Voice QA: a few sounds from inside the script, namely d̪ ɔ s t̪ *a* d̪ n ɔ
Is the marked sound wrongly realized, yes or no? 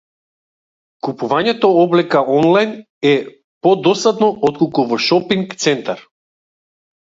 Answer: no